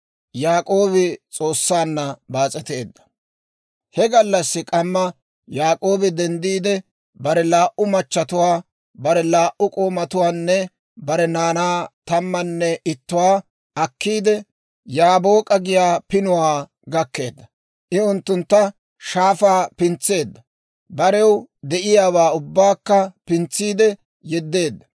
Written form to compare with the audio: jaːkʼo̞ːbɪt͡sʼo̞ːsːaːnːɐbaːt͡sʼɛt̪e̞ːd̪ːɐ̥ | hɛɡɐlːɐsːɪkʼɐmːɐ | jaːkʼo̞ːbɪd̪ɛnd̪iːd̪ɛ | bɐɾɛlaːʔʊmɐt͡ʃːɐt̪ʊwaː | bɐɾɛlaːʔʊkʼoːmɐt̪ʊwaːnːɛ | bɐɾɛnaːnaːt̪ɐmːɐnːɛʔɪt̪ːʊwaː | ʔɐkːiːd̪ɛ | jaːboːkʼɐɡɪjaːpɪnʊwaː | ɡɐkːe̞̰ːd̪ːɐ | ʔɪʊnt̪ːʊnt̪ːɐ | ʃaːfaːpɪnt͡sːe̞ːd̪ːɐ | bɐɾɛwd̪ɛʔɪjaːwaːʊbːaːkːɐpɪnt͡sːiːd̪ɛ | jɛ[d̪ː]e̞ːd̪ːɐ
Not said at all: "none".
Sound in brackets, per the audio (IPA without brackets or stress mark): d̪ː